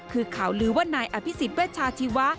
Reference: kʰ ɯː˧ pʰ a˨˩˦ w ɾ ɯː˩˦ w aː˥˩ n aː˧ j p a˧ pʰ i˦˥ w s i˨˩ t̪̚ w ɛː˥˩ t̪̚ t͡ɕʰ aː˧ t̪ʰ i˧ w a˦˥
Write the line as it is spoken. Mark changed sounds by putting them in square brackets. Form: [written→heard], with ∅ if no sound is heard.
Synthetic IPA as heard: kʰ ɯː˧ [pʰ→kʰ] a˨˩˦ w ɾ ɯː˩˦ w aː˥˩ n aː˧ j [p→ʔ] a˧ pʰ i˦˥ [w→∅] s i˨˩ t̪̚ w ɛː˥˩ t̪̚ t͡ɕʰ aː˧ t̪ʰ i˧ w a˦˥